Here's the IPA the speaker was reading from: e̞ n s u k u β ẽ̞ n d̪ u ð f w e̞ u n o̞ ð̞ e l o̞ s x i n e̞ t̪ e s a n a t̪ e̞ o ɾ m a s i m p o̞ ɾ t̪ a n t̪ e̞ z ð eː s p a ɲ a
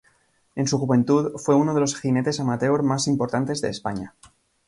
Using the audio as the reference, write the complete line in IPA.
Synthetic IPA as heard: e̞ n s u x u β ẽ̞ n t̪ u ð f w e̞ u n o̞ ð̞ e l o̞ s x i n e̞ t̪ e s a m a t̪ e̞ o ɾ m a s i m p o̞ ɾ t̪ a n t̪ e̞ z ð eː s p a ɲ a